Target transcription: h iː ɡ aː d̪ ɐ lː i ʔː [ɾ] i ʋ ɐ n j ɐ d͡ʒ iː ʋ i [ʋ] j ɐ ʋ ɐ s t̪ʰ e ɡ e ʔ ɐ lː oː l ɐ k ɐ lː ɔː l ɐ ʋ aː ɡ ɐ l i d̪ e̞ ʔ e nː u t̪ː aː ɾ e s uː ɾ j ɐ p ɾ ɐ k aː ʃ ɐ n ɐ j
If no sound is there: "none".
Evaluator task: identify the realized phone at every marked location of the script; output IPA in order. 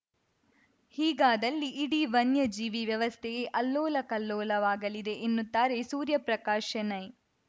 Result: ɽ, ʋ

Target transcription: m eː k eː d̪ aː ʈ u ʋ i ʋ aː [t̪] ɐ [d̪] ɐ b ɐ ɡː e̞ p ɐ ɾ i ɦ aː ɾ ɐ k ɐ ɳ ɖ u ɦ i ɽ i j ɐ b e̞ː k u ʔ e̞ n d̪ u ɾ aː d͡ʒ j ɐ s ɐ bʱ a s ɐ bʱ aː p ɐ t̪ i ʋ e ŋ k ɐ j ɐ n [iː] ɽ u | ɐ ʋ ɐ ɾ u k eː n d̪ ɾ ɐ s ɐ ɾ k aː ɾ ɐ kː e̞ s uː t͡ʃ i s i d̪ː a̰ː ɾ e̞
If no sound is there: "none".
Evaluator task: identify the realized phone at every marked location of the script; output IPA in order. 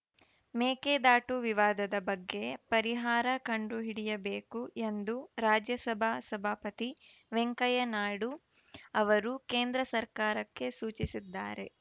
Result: d̪, d̪, aː

